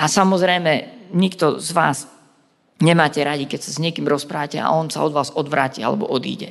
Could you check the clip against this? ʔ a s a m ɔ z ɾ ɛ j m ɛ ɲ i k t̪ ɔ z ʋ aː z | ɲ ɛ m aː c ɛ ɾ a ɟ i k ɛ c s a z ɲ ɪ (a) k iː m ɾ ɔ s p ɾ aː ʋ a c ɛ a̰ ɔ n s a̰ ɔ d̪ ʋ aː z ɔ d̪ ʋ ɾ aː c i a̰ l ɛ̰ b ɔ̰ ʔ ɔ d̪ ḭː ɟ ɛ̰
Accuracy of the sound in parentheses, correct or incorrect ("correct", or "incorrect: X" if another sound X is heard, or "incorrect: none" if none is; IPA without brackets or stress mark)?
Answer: incorrect: ɛ